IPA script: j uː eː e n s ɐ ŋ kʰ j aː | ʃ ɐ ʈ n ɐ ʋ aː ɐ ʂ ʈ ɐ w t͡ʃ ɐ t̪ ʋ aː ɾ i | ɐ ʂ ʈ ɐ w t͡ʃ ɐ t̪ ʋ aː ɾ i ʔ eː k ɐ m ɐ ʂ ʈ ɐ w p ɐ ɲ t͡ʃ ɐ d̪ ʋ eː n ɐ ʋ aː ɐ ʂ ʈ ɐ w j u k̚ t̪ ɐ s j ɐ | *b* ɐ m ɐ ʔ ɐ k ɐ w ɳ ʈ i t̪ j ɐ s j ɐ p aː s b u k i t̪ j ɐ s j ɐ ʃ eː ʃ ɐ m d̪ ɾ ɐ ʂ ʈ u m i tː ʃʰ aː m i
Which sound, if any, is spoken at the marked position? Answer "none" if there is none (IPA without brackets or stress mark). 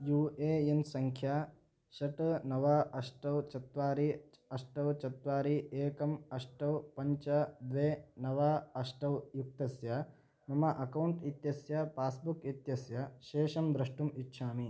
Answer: m